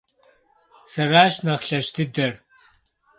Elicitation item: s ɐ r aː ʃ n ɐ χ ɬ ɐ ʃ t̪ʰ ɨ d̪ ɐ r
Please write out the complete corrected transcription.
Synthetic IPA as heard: s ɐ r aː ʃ n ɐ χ ɬ ɐ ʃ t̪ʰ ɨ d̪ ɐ r